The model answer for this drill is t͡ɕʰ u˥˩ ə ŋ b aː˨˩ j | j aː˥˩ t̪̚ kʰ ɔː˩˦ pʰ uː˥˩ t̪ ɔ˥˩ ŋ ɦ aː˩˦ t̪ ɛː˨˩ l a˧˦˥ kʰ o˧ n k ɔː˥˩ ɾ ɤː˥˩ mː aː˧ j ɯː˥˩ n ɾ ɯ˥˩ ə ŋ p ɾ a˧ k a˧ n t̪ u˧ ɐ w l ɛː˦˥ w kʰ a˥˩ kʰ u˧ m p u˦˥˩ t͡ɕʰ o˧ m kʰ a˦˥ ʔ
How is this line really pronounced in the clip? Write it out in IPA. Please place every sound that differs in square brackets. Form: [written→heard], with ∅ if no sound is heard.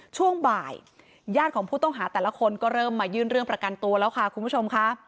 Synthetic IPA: t͡ɕʰ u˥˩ ə ŋ b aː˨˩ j | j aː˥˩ t̪̚ kʰ ɔː˩˦ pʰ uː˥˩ t̪ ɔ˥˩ ŋ ɦ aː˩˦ t̪ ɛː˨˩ l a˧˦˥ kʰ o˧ n k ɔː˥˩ ɾ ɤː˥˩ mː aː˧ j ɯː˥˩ n ɾ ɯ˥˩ ə ŋ p ɾ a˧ k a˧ n t̪ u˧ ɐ [w→∅] l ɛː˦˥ w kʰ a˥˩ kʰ u˧ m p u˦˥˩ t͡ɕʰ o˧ m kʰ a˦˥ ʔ